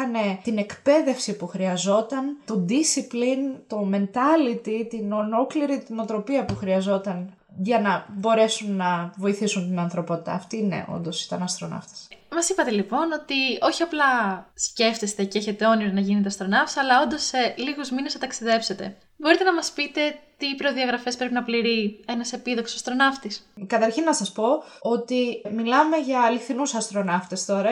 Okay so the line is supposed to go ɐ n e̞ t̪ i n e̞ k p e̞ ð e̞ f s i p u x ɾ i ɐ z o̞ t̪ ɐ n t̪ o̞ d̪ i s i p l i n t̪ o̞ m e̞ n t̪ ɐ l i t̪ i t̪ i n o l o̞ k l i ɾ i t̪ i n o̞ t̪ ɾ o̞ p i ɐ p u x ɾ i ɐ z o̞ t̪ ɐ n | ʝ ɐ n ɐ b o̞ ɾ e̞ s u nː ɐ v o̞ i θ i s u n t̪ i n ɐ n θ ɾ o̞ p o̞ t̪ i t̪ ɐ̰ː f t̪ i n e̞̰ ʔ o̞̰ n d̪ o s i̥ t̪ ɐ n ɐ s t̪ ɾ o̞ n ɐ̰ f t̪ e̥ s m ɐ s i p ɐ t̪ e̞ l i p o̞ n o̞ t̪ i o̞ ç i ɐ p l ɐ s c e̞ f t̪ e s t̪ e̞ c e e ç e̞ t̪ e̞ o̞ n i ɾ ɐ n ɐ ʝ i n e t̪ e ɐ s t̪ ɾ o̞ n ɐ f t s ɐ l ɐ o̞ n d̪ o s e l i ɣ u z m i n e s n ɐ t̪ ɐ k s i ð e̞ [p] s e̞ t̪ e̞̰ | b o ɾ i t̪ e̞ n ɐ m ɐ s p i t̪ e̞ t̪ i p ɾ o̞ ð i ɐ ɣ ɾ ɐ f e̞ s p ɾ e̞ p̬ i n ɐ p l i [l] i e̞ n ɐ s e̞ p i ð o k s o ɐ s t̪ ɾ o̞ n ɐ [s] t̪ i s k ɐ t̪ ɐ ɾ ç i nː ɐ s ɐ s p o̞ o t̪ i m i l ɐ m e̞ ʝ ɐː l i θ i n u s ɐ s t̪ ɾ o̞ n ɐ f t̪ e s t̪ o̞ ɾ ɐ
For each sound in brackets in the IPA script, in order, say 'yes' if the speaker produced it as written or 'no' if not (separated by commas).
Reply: yes, no, no